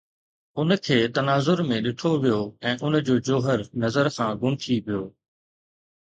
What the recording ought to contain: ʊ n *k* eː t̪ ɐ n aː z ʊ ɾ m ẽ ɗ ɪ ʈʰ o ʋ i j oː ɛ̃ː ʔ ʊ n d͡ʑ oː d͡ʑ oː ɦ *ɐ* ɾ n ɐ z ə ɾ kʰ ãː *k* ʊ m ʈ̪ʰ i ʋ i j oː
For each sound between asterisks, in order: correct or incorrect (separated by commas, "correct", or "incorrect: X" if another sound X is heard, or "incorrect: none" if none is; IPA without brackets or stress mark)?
incorrect: kʰ, incorrect: ə, incorrect: ɡ